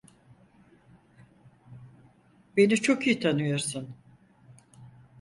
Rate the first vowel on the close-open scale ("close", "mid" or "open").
mid